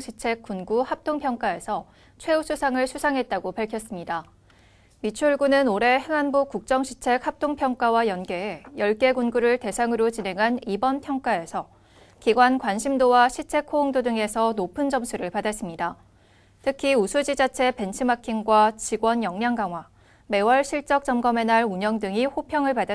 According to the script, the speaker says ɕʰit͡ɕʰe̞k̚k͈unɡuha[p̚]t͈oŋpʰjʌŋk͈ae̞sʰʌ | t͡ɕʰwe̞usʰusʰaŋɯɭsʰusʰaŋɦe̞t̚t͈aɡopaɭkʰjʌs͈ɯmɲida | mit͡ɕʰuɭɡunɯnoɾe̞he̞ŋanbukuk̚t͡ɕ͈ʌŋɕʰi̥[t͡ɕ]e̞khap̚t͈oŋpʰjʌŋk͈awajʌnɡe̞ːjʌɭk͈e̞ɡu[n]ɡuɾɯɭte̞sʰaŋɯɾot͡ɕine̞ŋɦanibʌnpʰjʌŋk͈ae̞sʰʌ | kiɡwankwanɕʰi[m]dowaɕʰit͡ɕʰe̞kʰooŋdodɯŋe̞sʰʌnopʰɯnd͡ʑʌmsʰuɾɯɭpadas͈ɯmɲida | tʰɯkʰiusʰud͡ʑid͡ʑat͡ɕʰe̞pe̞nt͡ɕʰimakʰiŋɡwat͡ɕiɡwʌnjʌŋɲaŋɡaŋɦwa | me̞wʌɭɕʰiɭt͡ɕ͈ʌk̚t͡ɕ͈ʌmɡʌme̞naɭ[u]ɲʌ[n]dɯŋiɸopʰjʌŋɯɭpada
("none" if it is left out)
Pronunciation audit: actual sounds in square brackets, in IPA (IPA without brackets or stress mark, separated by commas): p̚, t͡ɕʰ, n, m, u, ŋ